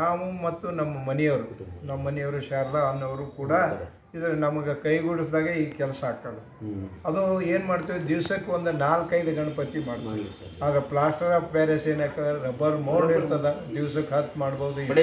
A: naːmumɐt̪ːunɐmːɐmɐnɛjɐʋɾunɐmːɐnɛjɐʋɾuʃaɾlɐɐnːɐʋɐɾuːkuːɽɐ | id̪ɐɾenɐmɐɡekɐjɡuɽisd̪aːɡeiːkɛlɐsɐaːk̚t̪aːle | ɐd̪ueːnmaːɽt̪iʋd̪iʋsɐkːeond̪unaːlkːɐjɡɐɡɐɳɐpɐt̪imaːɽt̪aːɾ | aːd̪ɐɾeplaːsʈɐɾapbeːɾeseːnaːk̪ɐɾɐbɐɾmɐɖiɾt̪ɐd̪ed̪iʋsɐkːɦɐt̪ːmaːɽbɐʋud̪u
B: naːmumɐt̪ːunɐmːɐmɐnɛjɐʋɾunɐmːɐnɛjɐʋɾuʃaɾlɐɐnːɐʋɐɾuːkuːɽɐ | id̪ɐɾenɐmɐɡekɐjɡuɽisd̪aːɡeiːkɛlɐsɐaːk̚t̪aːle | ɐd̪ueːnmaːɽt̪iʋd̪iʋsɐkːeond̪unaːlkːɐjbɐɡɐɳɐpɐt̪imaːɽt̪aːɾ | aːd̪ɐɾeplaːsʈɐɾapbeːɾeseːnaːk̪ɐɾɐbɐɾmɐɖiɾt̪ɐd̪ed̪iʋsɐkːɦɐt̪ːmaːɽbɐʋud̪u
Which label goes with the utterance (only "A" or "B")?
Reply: A